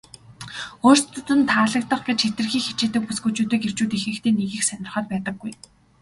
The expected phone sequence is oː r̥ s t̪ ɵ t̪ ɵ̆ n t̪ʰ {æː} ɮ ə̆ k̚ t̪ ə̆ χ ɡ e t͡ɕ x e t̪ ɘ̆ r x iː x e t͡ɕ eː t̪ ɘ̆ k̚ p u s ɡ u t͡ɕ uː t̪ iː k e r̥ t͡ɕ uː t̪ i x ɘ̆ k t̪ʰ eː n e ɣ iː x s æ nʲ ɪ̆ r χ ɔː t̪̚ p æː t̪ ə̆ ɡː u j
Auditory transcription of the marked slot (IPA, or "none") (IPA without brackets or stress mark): aː